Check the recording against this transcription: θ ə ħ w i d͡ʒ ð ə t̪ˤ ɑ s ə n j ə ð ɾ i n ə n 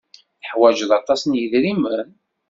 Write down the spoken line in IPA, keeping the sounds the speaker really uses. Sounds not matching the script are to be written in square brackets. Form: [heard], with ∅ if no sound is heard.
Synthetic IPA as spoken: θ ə ħ w [æ] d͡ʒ ð [ɑ] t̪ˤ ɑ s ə n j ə ð ɾ i [m] ə n